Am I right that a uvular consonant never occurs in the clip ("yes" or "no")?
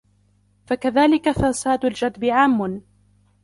yes